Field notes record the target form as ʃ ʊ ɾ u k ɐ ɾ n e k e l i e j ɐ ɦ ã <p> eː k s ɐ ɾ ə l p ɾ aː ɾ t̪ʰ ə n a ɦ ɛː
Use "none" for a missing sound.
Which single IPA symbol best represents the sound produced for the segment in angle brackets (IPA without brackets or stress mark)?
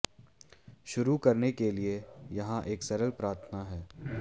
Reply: ʔ